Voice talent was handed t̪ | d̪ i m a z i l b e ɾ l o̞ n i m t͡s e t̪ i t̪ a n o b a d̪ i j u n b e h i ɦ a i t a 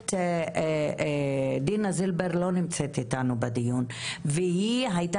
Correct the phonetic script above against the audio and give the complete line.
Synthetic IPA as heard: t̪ | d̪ i n a z i l b e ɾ l o̞ n i m t͡s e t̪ i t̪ a n u b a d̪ i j u n v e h i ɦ a j t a